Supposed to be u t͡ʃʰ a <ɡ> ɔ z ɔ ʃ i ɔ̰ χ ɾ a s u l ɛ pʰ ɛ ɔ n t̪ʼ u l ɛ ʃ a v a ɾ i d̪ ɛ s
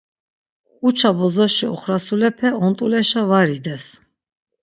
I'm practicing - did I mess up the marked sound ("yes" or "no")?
yes